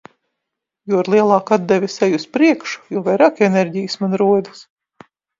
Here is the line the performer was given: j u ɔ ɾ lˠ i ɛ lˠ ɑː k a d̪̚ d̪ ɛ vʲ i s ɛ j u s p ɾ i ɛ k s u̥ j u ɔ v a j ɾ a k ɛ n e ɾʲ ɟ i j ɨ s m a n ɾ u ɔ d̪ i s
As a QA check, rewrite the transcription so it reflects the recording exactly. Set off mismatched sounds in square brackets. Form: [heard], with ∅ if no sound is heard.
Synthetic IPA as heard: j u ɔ ɾ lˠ i ɛ lˠ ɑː k a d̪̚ d̪ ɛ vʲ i s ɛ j u s p ɾ i ɛ k [ʃ] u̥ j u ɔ v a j ɾ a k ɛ n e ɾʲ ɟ i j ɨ s m a n ɾ u ɔ d̪ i s

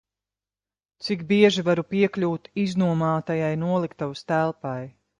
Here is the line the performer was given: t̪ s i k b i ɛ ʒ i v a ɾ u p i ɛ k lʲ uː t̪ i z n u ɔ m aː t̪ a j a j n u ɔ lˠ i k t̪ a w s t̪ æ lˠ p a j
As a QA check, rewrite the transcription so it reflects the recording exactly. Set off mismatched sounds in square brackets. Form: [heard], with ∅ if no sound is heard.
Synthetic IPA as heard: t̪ s i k b i ɛ ʒ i v a ɾ u p i ɛ k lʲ uː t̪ i z n u ɔ m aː t̪ a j a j n u ɔ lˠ i k t̪ a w s t̪ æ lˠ p a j

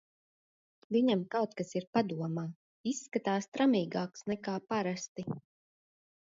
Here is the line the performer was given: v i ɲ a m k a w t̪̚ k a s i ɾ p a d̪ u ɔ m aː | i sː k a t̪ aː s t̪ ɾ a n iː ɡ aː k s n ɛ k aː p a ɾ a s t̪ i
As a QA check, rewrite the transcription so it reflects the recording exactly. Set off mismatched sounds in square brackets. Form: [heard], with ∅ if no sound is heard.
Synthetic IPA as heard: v i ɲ a m k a w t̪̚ k a s i ɾ p a d̪ u ɔ m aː | i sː k a t̪ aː s t̪ ɾ a [m] iː ɡ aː k s n ɛ k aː p a ɾ a s t̪ i

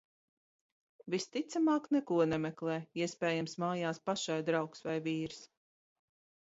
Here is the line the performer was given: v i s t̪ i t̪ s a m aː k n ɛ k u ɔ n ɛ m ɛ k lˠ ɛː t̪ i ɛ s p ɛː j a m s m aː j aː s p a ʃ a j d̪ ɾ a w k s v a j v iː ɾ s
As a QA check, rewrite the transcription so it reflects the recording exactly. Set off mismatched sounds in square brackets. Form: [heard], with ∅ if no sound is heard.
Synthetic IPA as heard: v i s t̪ i t̪ s a m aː k n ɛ k u ɔ n ɛ m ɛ k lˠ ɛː [∅] i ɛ s p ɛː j a m s m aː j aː s p a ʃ a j d̪ ɾ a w k s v a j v iː ɾ s

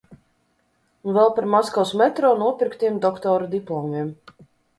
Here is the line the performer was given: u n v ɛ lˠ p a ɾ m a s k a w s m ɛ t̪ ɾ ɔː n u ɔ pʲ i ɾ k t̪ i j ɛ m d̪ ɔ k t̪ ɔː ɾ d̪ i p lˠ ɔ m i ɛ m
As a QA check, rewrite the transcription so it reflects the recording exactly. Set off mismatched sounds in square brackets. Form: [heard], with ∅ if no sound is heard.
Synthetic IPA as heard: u n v ɛ lˠ p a ɾ m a s k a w s m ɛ t̪ ɾ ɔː n u ɔ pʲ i ɾ k t̪ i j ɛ m d̪ ɔ k t̪ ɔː ɾ d̪ i p lˠ ɔ m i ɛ m

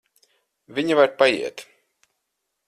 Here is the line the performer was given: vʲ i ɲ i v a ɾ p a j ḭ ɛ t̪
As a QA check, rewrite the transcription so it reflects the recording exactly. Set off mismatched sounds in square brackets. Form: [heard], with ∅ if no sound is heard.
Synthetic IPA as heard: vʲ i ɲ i v a ɾ p a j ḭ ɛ t̪

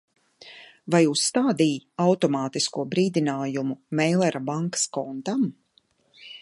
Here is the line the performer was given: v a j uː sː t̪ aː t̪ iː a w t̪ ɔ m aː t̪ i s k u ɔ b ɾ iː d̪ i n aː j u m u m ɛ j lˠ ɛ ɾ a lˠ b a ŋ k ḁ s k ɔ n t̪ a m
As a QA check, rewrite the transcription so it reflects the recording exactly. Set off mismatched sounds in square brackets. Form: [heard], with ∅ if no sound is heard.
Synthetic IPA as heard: v a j uː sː t̪ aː [d̪] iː a w t̪ ɔ m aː t̪ i s k u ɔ b ɾ iː d̪ i n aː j u m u m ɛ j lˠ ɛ ɾ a [∅] b a ŋ k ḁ s k ɔ n t̪ a m

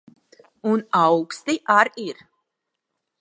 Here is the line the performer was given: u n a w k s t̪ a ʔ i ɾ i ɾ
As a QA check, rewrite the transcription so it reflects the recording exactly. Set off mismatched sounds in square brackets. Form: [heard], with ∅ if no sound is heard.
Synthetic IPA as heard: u n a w k s t̪ [i] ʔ [a] ɾ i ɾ

